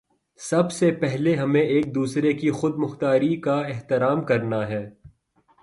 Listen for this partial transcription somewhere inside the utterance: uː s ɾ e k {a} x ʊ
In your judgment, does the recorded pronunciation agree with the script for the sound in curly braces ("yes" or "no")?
no